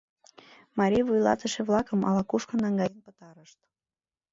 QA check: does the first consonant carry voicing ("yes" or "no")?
yes